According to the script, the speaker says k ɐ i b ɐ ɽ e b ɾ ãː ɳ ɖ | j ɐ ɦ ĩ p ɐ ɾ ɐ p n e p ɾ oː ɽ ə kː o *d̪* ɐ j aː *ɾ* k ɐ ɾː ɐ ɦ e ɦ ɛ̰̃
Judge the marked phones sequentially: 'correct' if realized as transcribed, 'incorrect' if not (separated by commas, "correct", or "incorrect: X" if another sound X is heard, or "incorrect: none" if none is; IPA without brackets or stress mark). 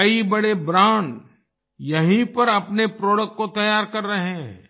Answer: incorrect: t̪, correct